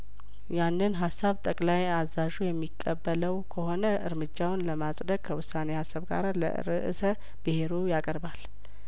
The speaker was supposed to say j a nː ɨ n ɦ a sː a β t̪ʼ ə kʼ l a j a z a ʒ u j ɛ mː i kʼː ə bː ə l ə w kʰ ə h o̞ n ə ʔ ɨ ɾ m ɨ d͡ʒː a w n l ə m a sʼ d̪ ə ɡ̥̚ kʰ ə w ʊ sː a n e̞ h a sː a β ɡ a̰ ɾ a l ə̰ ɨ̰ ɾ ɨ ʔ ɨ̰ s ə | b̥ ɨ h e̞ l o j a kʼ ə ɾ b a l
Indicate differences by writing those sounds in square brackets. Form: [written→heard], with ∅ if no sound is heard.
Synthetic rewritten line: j a nː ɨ n ɦ a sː a β t̪ʼ ə kʼ l a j a z a ʒ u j ɛ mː i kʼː ə bː ə l ə w kʰ ə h o̞ n ə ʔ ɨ ɾ m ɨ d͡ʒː a w n l ə m a sʼ d̪ ə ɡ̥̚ kʰ ə w ʊ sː a n e̞ h a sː a β ɡ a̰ ɾ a l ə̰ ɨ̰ ɾ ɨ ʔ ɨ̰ s ə | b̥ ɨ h e̞ [l→ɾ] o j a kʼ ə ɾ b a l